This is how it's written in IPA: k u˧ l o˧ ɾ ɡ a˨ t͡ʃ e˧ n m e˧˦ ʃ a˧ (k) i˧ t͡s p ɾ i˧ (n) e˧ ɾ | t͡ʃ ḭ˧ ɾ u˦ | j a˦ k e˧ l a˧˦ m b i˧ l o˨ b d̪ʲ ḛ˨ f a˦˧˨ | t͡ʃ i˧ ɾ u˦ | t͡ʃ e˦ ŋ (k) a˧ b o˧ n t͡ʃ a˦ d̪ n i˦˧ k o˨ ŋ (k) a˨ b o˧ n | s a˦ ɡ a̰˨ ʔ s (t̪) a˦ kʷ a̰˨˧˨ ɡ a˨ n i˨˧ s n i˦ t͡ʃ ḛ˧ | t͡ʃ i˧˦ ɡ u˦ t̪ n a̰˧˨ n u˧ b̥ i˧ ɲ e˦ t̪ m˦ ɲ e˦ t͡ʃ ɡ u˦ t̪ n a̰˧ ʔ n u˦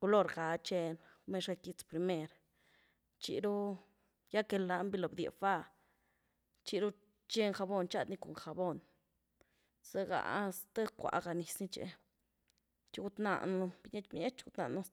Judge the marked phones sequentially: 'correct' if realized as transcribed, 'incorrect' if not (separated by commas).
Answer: correct, incorrect, incorrect, incorrect, correct